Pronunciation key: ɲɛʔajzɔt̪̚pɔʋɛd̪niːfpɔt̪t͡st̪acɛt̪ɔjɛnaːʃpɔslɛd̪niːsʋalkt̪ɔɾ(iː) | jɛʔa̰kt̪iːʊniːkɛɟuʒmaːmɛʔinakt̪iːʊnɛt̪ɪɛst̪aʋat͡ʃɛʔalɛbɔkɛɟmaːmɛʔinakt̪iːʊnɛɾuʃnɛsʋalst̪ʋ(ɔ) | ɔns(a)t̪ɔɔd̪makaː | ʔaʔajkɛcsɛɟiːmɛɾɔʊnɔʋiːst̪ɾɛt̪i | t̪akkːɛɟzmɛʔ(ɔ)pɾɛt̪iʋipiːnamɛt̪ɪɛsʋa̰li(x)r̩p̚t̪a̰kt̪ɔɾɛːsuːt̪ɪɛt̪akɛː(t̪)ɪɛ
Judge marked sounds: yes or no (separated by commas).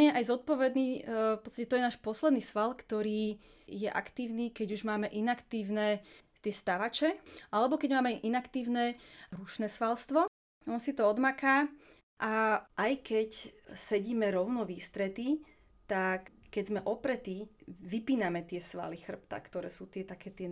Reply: yes, yes, no, yes, yes, yes